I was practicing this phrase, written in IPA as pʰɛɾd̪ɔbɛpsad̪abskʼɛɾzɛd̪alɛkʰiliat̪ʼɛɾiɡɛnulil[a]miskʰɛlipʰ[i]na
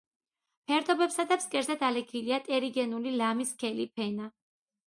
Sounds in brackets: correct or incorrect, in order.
correct, incorrect: ɛ

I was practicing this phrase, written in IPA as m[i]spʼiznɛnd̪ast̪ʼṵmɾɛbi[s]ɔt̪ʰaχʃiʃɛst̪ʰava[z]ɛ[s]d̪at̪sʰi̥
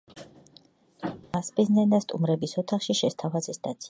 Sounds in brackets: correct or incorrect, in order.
incorrect: a, correct, correct, correct

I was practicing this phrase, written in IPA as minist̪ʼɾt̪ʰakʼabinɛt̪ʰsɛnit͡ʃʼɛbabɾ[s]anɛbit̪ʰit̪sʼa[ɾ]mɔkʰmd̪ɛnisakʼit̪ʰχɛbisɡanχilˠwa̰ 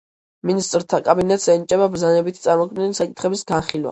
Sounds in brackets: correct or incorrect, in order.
incorrect: z, correct

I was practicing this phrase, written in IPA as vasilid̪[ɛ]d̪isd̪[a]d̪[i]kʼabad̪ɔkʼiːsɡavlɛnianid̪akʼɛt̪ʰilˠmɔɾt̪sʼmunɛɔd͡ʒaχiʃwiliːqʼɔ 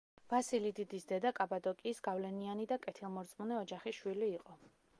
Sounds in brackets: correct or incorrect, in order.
incorrect: i, incorrect: ɛ, incorrect: a

